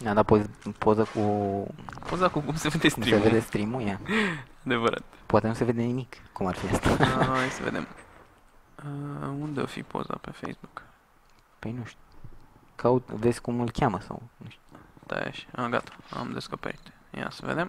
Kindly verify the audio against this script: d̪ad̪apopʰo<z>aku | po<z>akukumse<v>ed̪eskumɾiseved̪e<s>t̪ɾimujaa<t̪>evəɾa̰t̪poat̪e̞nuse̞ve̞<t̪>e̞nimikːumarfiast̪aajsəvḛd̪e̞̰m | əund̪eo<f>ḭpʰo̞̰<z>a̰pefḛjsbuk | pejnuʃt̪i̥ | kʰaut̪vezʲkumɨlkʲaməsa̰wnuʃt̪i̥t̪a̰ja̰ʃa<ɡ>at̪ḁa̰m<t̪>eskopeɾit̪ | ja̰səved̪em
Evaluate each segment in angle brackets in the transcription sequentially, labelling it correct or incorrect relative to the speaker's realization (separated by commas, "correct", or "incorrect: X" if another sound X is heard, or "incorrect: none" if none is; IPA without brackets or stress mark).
correct, correct, correct, correct, incorrect: d̪, incorrect: d̪, correct, correct, correct, incorrect: d̪